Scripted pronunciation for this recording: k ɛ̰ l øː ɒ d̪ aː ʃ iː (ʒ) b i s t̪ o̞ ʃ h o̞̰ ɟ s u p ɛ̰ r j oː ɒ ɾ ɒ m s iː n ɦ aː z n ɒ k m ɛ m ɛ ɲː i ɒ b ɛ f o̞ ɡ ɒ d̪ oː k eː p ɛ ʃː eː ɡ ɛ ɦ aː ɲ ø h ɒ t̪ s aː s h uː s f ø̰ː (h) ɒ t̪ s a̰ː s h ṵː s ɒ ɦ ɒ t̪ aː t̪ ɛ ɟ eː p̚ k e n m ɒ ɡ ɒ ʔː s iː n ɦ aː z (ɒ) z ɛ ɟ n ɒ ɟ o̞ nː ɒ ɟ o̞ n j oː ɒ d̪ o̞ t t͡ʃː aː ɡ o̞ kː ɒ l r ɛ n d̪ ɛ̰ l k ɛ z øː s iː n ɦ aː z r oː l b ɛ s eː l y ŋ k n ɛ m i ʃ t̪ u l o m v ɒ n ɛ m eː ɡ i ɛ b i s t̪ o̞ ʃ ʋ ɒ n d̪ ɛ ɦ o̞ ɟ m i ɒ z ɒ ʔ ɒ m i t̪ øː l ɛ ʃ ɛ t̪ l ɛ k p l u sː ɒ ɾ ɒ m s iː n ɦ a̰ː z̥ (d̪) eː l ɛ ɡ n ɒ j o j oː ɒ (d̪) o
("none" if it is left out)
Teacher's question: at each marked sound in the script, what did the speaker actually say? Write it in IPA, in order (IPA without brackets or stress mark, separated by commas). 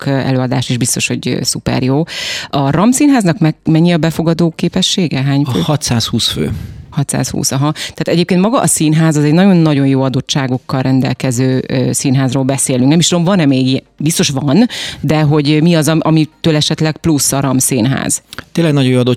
ʒ, h, ɒ, t̪, d̪